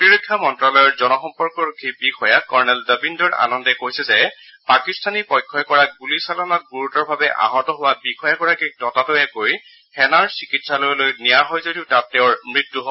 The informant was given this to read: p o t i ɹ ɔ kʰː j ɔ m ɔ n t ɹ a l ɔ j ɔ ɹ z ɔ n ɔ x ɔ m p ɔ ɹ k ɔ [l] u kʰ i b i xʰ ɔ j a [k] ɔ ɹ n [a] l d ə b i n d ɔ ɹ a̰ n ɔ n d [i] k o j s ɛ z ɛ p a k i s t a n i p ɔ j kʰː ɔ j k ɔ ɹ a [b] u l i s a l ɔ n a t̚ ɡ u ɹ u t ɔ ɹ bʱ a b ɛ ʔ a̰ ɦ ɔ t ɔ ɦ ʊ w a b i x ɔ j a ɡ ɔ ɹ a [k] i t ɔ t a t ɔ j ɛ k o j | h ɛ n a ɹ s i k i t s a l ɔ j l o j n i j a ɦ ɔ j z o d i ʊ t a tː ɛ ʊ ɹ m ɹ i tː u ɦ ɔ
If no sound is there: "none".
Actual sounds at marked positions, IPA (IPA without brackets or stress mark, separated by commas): ɹ, k, ɛ, ɛ, ɡ, k